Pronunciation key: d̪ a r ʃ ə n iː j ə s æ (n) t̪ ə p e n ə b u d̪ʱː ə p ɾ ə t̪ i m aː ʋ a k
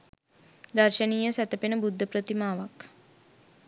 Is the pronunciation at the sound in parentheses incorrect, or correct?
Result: incorrect: none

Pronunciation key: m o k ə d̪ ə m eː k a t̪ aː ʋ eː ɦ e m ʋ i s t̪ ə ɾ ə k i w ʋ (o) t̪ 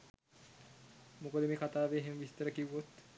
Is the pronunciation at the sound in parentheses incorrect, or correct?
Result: correct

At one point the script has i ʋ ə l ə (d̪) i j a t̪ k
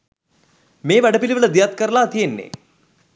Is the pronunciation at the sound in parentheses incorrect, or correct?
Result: correct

